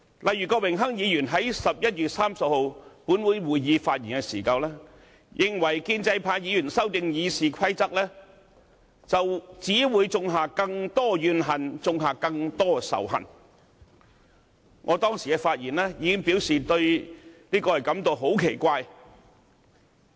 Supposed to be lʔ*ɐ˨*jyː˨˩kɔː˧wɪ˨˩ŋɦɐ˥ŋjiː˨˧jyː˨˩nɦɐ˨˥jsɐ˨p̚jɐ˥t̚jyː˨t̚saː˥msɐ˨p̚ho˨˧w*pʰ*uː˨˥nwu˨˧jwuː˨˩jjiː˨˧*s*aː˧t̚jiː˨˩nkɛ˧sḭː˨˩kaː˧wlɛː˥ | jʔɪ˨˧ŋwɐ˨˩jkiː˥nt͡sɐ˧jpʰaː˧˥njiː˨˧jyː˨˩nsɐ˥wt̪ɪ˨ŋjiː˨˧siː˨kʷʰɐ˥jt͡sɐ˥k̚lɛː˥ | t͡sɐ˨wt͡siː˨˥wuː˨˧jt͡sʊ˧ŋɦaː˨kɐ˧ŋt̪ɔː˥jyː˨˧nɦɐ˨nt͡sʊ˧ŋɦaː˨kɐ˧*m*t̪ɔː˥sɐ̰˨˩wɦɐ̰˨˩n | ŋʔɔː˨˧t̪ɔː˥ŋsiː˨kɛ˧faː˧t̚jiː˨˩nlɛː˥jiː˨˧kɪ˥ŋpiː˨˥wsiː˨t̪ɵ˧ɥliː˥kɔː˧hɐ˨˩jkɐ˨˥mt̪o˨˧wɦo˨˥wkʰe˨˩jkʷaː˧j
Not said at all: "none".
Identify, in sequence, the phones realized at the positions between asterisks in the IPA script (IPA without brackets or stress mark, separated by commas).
ɐ˨, p, f, ŋ